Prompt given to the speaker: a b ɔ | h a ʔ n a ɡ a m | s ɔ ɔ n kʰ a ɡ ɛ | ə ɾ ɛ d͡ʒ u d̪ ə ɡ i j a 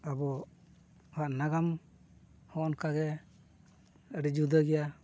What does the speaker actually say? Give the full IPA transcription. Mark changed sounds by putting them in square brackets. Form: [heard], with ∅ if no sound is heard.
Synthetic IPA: a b ɔ | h a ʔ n a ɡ a m | [h] ɔ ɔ n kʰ a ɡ ɛ | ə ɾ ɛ d͡ʒ u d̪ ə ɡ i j a

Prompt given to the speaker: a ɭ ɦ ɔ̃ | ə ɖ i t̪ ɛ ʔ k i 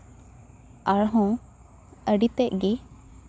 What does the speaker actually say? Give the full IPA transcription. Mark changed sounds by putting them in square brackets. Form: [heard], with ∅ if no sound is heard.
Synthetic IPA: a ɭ ɦ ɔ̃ | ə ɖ i t̪ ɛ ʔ [ɡ] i

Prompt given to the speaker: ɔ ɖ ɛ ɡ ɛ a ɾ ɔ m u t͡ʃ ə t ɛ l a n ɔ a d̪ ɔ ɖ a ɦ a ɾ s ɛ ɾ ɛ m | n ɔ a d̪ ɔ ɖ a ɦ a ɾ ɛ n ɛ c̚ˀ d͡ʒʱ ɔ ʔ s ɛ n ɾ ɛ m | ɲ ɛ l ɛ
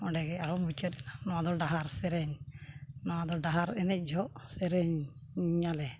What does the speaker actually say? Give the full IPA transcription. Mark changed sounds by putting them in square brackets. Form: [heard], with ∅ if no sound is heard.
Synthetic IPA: ɔ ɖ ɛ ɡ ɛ a ɾ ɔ m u t͡ʃ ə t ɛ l a n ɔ a d̪ ɔ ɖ a ɦ a ɾ s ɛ ɾ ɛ [ɲ] | n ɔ a d̪ ɔ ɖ a ɦ a ɾ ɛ n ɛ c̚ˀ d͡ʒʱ ɔ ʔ s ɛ [∅] ɾ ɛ [ɲ] | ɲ [a] l ɛ

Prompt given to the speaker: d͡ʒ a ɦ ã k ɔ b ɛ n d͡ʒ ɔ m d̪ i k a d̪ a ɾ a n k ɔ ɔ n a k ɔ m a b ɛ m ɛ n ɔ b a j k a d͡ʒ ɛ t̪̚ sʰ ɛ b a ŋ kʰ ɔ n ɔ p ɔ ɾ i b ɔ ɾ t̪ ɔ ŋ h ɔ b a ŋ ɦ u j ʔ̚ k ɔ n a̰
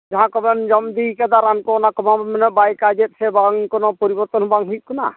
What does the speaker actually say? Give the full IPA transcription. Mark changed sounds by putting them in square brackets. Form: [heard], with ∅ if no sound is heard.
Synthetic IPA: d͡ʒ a ɦ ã k ɔ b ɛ n d͡ʒ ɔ m d̪ i k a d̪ a ɾ a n k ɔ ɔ n a k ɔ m a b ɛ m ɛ n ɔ b a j k a d͡ʒ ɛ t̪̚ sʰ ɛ b a ŋ [k] ɔ n ɔ p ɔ ɾ i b ɔ ɾ t̪ ɔ [n] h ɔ b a ŋ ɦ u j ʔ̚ k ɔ n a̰

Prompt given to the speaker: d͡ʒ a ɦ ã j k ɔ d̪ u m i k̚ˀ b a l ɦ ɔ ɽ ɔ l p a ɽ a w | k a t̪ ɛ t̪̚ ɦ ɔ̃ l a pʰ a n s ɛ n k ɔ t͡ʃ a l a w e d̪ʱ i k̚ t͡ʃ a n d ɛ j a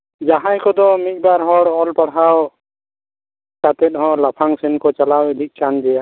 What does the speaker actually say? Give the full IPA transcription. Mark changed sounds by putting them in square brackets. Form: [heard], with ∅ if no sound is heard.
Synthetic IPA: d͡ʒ a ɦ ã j k ɔ d̪ [ɔ] m i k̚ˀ b a [ɾ] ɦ ɔ ɽ ɔ l p a ɽ a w | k a t̪ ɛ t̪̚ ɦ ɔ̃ l a pʰ a [ŋ] s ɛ n k ɔ t͡ʃ a l a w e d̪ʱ i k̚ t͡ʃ a n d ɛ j a

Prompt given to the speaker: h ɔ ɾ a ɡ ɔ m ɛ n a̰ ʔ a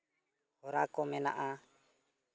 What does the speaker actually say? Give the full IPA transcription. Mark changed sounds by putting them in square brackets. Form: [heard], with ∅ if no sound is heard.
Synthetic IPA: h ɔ ɾ a [k] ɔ m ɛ n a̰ ʔ a

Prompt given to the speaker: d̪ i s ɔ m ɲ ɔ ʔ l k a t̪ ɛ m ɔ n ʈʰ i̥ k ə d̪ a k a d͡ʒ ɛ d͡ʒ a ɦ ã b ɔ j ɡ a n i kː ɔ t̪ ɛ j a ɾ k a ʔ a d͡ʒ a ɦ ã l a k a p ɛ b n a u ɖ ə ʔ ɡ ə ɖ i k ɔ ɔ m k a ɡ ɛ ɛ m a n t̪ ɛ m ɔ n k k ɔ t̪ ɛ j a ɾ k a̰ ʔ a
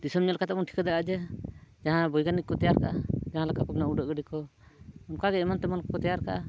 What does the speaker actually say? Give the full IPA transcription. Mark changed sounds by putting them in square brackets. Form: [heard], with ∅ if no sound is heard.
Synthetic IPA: d̪ i s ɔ m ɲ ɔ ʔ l k a t̪ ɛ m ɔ n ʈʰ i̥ k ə d̪ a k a d͡ʒ ɛ d͡ʒ a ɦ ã b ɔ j ɡ a n i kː ɔ t̪ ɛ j a ɾ k a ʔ a d͡ʒ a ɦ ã l a k a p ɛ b n a u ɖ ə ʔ ɡ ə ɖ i k ɔ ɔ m k a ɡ ɛ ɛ m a n t̪ ɛ m ɔ n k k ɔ t̪ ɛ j a ɾ k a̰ ʔ a

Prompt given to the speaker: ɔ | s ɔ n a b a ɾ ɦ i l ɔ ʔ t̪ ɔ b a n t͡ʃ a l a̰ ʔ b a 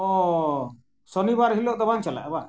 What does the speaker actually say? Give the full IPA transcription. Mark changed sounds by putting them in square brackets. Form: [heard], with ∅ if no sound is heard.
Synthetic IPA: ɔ | s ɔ n [i] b a ɾ ɦ i l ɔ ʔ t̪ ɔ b a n t͡ʃ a l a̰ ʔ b a

